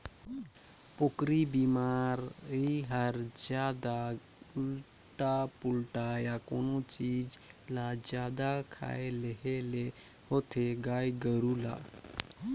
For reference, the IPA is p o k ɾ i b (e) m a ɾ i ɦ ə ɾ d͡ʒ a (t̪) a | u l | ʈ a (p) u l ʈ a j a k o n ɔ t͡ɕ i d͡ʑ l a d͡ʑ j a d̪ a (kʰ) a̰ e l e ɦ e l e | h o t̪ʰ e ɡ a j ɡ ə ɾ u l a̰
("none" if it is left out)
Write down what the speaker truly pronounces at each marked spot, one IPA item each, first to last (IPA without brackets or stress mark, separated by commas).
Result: i, d̪, p, kʰ